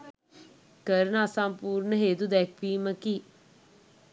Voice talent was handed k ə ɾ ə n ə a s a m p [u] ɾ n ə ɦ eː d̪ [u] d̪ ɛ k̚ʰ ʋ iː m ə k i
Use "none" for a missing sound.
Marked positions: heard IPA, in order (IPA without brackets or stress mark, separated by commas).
uː, u